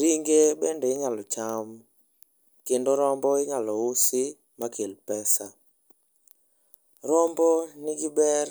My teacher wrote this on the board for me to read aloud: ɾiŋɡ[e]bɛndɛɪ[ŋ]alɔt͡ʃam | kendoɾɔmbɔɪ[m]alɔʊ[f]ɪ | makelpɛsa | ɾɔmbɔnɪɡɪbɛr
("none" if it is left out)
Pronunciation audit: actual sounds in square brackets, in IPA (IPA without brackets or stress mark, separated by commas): e, ŋ, ŋ, s